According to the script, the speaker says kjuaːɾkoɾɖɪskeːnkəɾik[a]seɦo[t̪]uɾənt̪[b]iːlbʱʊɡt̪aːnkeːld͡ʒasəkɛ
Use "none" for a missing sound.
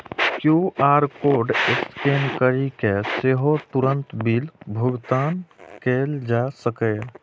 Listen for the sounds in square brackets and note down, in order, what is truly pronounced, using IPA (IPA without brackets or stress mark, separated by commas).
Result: e, t̪, b